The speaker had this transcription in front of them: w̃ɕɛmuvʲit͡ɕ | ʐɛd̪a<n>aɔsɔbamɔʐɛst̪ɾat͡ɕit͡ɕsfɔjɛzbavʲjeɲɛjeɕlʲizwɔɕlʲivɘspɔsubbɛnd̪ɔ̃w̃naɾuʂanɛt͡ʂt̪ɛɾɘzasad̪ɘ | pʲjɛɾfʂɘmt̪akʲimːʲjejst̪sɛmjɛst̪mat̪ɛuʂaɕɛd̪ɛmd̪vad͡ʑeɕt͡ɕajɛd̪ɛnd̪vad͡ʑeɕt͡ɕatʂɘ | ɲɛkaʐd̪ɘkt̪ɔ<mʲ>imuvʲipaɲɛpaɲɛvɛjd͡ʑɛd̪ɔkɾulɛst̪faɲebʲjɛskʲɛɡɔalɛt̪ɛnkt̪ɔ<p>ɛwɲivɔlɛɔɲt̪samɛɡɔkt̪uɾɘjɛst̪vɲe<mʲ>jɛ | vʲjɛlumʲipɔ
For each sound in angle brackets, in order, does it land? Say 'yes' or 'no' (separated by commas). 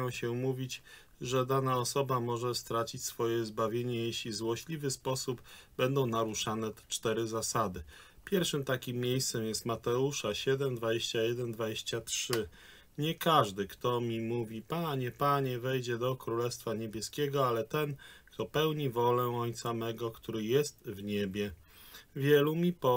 yes, yes, yes, no